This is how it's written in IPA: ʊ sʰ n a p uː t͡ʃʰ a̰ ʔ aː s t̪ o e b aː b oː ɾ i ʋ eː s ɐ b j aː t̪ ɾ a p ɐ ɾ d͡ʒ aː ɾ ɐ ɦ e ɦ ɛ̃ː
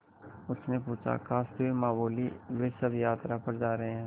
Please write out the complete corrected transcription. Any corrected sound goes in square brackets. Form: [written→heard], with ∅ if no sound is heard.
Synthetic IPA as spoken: ʊ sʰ n [a→e] p uː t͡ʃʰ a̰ [ʔ→k] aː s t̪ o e [b→m] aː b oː [ɾ→l] i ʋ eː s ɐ b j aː t̪ ɾ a p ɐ ɾ d͡ʒ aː ɾ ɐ ɦ e ɦ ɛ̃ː